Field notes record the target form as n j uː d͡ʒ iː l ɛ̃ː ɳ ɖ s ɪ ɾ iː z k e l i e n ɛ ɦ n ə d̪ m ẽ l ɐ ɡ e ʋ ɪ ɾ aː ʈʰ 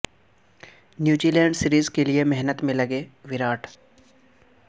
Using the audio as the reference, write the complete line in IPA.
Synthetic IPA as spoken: n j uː d͡ʒ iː l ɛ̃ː ɳ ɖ s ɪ ɾ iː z k e l i e m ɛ ɦ n ə t̪ m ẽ l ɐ ɡ e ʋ ɪ ɾ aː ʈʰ